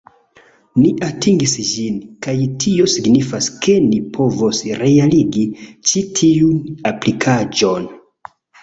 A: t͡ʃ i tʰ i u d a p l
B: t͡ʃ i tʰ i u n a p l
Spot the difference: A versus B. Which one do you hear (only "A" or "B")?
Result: B